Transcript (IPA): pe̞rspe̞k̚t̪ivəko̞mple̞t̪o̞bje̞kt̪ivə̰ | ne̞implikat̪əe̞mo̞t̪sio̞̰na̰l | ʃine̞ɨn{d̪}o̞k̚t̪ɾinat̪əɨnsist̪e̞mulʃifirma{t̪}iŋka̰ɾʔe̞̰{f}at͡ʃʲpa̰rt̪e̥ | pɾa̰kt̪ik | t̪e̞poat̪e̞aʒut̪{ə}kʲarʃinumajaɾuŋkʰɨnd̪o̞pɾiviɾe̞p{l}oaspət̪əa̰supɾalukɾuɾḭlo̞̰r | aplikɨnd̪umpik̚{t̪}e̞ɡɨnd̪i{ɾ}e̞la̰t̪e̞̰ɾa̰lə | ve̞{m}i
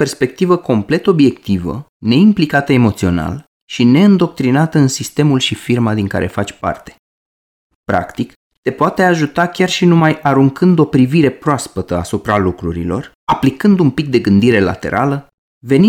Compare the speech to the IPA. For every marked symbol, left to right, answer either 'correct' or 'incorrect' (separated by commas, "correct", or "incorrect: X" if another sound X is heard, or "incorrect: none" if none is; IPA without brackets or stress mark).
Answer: correct, incorrect: d̪, correct, incorrect: a, incorrect: ɾ, incorrect: d̪, correct, incorrect: n